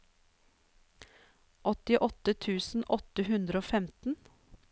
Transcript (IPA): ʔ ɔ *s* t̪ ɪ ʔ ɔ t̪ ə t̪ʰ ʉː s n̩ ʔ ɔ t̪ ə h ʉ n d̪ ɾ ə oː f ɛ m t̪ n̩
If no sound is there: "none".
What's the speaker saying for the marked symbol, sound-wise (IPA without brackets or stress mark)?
none